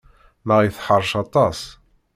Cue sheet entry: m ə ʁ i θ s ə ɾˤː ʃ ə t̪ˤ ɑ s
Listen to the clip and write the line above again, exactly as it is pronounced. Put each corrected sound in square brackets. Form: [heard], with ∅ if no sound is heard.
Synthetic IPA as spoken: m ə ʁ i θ [ħ] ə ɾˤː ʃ [ɑ] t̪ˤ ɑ s